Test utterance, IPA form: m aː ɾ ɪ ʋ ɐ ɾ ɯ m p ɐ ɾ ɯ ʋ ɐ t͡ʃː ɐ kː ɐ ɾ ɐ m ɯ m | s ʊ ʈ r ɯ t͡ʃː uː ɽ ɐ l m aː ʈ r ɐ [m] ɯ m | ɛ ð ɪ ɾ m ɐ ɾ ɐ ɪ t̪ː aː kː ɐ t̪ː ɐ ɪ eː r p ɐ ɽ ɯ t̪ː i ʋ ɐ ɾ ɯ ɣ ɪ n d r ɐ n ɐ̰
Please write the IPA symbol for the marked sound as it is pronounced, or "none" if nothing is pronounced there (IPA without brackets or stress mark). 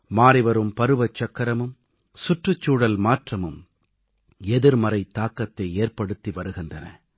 m